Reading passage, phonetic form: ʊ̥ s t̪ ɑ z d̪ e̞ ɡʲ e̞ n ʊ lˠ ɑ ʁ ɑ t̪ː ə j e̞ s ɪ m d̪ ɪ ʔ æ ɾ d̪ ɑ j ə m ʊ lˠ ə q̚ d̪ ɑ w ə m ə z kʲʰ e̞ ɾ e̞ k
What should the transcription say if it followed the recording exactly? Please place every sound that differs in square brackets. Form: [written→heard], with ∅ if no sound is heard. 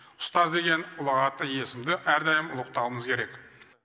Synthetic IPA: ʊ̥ s t̪ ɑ z d̪ e̞ ɡʲ e̞ n ʊ lˠ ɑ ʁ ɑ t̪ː ə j e̞ s ɪ m d̪ ɪ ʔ æ ɾ d̪ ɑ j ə m ʊ lˠ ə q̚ [d̪→t̪] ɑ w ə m ə z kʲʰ e̞ ɾ e̞ k